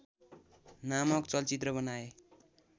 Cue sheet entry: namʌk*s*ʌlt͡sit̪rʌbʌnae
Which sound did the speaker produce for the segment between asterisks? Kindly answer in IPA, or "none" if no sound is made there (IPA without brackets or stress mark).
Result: t͡s